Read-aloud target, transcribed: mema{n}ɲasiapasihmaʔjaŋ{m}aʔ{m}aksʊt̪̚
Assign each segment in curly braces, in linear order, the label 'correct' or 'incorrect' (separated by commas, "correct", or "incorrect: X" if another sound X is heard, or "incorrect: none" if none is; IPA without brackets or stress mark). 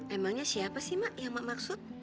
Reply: incorrect: ŋ, correct, correct